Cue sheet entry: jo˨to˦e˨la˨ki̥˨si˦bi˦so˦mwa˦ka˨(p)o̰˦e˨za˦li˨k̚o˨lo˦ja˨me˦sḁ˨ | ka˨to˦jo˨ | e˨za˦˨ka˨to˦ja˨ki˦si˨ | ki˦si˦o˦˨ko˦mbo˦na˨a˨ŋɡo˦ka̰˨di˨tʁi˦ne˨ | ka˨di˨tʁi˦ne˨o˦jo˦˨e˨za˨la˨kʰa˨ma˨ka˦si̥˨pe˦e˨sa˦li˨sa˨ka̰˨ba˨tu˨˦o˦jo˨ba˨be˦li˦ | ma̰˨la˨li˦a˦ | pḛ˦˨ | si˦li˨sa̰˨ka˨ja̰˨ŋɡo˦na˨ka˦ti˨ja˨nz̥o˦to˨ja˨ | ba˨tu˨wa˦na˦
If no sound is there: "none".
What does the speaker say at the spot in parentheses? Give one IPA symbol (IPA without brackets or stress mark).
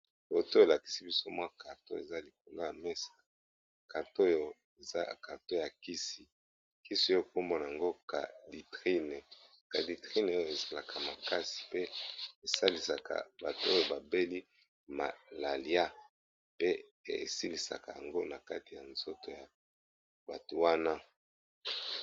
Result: t